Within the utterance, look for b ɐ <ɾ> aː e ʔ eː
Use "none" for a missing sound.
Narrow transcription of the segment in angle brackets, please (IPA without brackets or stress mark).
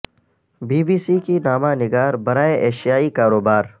ɾ